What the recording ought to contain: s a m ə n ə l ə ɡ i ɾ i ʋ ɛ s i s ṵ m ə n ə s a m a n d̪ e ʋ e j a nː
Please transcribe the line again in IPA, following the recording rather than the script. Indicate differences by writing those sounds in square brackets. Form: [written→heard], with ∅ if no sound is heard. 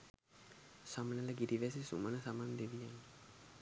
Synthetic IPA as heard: s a m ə n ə l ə ɡ i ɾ i ʋ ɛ s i s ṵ m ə n ə s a m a n d̪ e ʋ [e→i] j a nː